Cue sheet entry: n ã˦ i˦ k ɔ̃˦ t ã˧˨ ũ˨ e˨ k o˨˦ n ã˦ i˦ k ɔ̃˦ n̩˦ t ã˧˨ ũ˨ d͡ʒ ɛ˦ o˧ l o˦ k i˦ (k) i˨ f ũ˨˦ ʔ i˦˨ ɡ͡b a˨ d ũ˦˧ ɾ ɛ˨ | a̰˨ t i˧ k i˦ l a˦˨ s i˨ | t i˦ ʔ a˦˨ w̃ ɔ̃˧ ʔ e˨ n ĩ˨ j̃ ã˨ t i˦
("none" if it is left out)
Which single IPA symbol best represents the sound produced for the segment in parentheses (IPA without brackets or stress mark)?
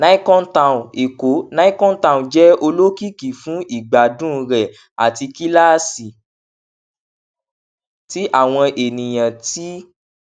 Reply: k